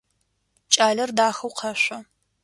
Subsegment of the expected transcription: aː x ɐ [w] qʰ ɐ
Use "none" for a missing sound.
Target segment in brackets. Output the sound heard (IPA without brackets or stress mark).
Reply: w